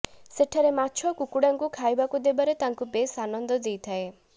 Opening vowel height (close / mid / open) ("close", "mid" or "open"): mid